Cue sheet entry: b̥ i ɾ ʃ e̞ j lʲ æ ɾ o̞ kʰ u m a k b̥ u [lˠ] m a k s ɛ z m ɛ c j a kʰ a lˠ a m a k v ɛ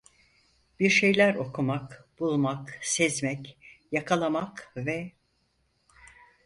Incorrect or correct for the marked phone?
correct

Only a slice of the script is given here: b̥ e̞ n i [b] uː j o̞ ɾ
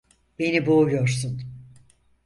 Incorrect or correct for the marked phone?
correct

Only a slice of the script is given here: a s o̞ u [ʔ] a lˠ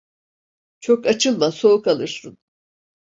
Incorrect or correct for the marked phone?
incorrect: k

